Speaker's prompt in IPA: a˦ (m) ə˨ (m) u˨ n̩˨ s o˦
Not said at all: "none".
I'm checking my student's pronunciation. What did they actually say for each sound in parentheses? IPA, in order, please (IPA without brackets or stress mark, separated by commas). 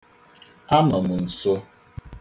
m, m